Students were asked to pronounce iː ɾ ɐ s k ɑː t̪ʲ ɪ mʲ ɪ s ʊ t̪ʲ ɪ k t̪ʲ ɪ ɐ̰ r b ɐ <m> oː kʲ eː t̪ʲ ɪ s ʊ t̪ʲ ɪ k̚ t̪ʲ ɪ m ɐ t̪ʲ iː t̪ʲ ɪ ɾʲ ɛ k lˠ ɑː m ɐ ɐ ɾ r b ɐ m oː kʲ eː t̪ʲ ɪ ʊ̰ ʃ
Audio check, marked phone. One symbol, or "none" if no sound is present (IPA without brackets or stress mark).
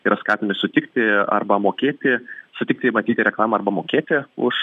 m